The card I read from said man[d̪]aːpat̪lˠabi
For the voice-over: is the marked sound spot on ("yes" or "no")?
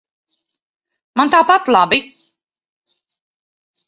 no